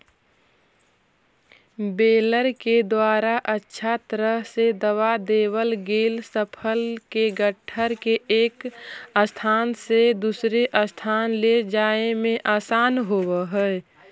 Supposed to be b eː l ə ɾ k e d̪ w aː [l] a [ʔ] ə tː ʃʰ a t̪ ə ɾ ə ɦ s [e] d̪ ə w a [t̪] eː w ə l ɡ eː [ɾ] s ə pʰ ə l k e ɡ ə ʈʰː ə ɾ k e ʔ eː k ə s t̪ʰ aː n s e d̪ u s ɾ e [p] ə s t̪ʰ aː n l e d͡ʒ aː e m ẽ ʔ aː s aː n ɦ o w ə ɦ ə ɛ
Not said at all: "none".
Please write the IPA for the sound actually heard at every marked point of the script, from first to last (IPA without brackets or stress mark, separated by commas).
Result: ɾ, ʔ, e, d̪, l, ʔ